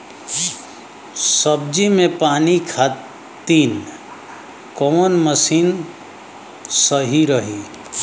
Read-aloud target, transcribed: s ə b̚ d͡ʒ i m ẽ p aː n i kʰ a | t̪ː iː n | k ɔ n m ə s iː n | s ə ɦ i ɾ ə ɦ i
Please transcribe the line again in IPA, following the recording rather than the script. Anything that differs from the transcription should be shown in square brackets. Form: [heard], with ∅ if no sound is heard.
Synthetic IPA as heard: s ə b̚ d͡ʒ i m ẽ p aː n i kʰ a | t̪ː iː n | k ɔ n m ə s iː n | s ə ɦ i ɾ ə ɦ i

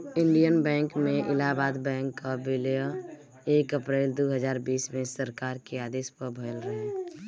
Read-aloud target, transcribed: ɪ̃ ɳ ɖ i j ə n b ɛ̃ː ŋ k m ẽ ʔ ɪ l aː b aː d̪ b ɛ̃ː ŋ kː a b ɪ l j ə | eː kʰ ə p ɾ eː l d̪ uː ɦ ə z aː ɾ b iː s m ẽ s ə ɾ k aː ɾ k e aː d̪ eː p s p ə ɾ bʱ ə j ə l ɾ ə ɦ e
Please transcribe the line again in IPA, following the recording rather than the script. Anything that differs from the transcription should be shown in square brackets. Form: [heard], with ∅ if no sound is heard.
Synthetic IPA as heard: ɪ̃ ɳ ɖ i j ə n b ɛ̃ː ŋ k m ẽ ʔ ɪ l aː b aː d̪ b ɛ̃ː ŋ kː a b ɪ l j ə | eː [k] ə p ɾ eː l d̪ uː ɦ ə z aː ɾ b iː s m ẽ s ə ɾ k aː ɾ k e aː d̪ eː [∅] s p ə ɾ bʱ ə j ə l ɾ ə ɦ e

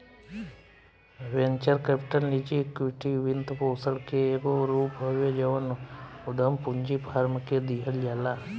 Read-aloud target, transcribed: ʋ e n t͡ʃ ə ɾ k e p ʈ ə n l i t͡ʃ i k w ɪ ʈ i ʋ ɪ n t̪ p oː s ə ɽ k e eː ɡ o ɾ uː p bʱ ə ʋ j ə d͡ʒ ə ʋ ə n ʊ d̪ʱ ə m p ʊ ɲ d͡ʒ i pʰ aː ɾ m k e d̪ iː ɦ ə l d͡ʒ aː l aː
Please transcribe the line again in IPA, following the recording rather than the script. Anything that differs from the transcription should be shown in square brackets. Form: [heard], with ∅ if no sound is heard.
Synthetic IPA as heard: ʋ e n t͡ʃ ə ɾ k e p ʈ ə n l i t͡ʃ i k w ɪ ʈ i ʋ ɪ n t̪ p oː s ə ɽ k e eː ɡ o ɾ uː p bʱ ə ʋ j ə d͡ʒ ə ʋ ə n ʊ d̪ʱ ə m p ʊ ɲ d͡ʒ i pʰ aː ɾ m k e d̪ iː ɦ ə l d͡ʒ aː l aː

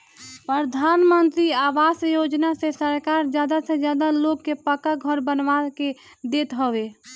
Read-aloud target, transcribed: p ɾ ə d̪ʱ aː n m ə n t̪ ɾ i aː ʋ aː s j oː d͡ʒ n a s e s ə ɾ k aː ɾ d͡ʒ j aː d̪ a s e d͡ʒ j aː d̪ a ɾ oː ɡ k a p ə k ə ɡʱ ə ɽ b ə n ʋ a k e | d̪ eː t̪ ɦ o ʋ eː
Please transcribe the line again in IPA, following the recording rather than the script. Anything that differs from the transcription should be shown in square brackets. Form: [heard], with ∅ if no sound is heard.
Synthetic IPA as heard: p ɾ ə d̪ʱ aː n m ə n t̪ ɾ i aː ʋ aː s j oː d͡ʒ n a s e s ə ɾ k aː ɾ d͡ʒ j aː d̪ a s e d͡ʒ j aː d̪ a [l] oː ɡ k [e] p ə k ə ɡʱ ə [ɾ] b ə n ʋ a k e | d̪ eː t̪ ɦ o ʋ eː

